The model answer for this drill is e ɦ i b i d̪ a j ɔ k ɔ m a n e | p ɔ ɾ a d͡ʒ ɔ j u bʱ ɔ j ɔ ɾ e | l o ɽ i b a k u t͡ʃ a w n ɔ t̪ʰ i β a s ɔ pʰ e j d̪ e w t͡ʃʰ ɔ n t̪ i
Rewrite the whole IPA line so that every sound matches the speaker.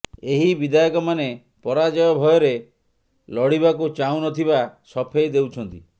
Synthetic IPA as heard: e ɦ i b i d̪ a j ɔ k ɔ m a n e | p ɔ ɾ a d͡ʒ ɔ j ɔ bʱ ɔ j ɔ ɾ e | l ɔ ɽ i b a k u t͡ʃ a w n ɔ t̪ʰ i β a s ɔ pʰ e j d̪ e w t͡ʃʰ ɔ n t̪ i